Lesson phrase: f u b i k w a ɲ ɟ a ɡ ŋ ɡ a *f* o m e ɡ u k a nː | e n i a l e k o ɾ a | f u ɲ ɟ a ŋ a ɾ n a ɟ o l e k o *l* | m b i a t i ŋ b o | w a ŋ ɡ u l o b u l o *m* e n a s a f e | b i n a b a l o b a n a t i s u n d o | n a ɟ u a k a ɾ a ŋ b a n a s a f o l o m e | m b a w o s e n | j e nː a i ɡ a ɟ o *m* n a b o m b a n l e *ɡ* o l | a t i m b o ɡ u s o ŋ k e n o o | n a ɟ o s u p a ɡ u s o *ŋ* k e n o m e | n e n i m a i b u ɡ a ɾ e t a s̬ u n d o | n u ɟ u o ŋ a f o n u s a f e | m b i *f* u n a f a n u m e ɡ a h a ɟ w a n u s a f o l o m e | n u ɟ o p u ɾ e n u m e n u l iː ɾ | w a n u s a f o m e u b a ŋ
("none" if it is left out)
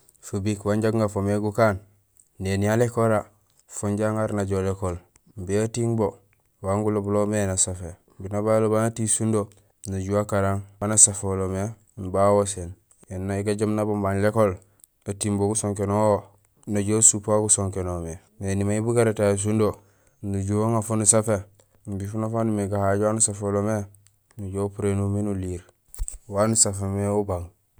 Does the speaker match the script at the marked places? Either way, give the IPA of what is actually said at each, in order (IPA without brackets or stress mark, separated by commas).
f, l, m, m, k, ŋ, f